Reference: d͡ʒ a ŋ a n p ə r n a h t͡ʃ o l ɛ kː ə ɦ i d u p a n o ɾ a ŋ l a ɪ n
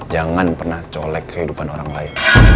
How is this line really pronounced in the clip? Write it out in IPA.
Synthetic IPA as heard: d͡ʒ a ŋ a n p ə r n a h t͡ʃ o l ɛ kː ə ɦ i d u p a n o ɾ a ŋ l a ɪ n